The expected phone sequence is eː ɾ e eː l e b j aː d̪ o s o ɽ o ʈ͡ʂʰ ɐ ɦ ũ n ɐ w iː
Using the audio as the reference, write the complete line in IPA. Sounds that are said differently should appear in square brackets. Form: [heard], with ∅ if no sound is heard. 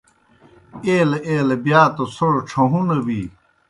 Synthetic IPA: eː [l] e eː l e b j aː [t̪] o s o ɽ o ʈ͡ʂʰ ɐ ɦ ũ n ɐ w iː